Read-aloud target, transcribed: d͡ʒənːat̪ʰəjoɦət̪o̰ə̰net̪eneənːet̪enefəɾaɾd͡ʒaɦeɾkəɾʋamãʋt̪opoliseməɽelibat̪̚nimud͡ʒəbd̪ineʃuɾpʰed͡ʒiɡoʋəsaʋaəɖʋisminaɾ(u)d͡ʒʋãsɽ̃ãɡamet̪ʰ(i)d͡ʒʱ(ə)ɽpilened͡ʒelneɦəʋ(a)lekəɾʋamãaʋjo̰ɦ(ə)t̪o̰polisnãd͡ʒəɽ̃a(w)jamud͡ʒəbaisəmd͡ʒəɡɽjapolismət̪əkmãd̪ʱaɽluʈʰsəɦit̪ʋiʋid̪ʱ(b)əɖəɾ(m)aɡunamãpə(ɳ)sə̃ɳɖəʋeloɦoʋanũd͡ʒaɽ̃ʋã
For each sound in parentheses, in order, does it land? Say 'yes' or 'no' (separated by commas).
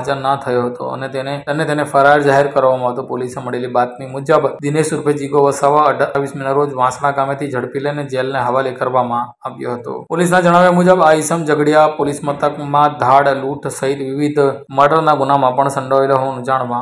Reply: no, yes, yes, yes, yes, no, no, no, yes